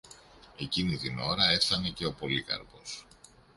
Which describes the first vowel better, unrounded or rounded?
unrounded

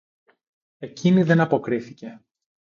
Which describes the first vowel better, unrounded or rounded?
unrounded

